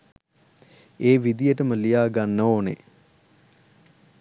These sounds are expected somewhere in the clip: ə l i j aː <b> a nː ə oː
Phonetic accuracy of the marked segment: incorrect: ɡ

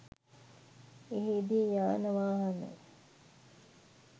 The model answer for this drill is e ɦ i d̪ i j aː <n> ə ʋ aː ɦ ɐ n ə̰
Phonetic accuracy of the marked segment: correct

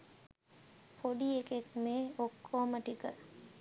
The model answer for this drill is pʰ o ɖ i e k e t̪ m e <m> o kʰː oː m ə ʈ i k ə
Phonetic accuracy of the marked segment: incorrect: none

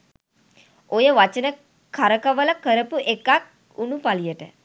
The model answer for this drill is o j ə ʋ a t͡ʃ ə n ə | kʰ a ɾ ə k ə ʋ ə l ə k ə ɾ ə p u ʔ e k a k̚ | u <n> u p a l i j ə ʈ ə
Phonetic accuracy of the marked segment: correct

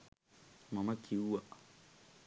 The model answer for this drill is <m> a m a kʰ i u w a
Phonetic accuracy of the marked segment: correct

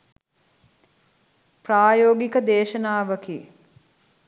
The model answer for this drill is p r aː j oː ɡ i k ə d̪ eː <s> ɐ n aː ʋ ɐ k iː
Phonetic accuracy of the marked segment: incorrect: ʃ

